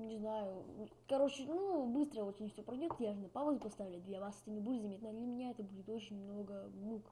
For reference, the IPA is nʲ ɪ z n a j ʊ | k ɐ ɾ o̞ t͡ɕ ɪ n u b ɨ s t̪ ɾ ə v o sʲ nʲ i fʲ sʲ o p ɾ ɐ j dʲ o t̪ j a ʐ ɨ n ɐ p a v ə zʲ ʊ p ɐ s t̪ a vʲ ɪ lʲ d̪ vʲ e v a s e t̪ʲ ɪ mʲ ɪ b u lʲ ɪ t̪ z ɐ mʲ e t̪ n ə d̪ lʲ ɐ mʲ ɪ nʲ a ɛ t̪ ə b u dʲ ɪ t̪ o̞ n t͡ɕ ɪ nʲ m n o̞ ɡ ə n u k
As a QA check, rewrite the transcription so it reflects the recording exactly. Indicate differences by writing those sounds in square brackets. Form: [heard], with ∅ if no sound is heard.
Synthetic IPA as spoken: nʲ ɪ z n a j ʊ | k ɐ ɾ o̞ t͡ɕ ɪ n u b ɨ s t̪ ɾ ə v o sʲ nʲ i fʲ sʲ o p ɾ ɐ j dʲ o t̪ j a ʐ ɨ n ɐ p a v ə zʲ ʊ p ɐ s t̪ a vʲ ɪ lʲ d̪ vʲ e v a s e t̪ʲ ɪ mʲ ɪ b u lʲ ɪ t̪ z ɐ mʲ e t̪ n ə d̪ lʲ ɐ mʲ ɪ nʲ a ɛ t̪ ə b u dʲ ɪ t̪ o̞ [∅] t͡ɕ ɪ nʲ m n o̞ ɡ ə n u k